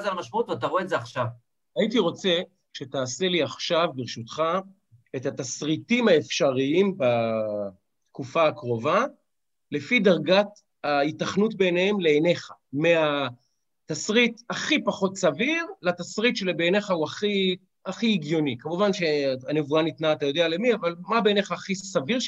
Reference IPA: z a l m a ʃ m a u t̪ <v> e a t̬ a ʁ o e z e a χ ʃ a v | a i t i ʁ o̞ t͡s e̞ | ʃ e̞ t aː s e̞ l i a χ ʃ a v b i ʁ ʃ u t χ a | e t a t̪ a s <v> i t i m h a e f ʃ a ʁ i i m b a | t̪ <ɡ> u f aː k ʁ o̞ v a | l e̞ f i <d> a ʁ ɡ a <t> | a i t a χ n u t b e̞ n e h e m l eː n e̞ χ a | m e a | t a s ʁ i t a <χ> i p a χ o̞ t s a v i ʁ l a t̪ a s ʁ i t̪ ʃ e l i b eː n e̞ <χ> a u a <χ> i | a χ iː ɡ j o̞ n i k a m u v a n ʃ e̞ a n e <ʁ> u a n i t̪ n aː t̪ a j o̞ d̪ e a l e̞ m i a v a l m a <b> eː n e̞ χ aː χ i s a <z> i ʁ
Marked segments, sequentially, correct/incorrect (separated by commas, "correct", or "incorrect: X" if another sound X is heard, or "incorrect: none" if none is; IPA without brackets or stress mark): correct, incorrect: ʁ, incorrect: k, correct, correct, correct, correct, correct, incorrect: v, correct, incorrect: v